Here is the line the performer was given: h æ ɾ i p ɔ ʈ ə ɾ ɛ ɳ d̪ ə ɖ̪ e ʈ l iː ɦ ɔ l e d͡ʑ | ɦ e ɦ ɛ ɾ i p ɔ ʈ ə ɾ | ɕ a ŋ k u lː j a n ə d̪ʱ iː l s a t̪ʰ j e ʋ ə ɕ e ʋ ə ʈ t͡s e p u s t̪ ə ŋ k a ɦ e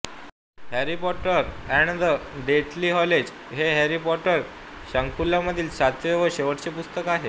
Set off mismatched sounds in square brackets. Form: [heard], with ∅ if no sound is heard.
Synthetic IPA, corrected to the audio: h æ ɾ i p ɔ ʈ ə ɾ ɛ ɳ d̪ ə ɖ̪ e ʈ l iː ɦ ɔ l e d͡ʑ | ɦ e ɦ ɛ ɾ i p ɔ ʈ ə ɾ | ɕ a ŋ k u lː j a [m] ə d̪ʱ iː l s a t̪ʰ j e ʋ ə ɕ e ʋ ə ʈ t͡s e p u s t̪ ə [∅] k a ɦ e